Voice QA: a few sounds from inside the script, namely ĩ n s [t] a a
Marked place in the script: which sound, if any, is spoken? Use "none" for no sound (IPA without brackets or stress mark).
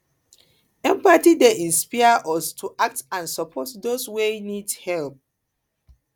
p